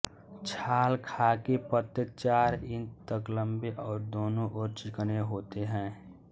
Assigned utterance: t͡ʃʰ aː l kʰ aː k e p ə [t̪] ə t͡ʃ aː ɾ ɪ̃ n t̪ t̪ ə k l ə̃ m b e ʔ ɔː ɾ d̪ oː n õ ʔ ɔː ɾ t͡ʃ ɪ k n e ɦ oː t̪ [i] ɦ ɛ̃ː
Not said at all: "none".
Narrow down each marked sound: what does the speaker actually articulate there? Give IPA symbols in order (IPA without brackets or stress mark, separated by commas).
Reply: t̪, e